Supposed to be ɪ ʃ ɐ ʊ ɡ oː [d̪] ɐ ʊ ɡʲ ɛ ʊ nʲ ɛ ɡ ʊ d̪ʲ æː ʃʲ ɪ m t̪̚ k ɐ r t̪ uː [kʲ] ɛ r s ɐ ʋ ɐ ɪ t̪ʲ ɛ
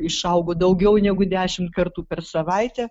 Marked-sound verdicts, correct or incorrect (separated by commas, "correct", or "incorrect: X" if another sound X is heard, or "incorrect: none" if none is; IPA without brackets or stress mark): correct, incorrect: pʲ